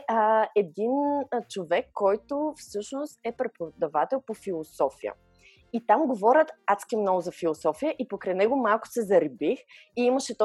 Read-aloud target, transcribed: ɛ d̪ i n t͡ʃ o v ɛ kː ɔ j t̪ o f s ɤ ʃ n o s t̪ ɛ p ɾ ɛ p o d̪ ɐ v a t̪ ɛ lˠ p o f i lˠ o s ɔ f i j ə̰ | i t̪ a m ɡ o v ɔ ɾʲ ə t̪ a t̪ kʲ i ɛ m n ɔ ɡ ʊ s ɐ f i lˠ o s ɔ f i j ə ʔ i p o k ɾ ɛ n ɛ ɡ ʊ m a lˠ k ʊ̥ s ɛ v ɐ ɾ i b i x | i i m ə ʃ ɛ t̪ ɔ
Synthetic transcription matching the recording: ɛ d̪ i n t͡ʃ o v ɛ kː ɔ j t̪ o f s ɤ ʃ n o s t̪ ɛ p ɾ ɛ p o d̪ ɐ v a t̪ ɛ lˠ p o f i lˠ o s ɔ f i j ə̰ | i t̪ a m ɡ o v ɔ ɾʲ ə t̪ a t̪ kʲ i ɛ m n ɔ ɡ ʊ z ɐ f i lˠ o s ɔ f i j ə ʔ i p o k ɾ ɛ n ɛ ɡ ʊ m a lˠ k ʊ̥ s ɛ z ɐ ɾ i b i x | i i m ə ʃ ɛ t̪ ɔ